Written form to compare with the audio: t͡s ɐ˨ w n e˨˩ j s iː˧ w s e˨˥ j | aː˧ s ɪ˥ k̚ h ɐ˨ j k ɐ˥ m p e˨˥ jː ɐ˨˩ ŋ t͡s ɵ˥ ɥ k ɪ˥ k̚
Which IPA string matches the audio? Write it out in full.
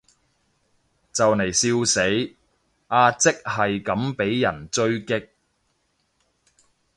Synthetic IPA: t͡s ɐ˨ w n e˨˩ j s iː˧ w s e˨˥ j | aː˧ t͡s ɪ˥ k̚ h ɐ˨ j k ɐ˨˥ m p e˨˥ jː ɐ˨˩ n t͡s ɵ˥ ɥ k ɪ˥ k̚

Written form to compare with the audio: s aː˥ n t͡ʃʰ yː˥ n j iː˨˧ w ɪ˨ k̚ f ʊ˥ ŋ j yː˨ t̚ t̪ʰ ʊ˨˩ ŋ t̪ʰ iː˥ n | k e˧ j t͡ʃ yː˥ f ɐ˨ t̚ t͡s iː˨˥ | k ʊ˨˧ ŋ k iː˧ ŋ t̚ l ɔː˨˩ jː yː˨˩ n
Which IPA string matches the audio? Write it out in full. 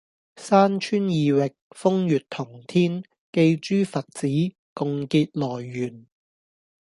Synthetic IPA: s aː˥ n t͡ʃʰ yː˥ n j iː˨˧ w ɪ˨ k̚ f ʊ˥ ŋ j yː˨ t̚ t̪ʰ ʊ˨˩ ŋ t̪ʰ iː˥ n | k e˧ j t͡ʃ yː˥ f ɐ˨ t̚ t͡s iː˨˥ | k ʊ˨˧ ŋ k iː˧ t̚ l ɔː˨˩ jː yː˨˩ n

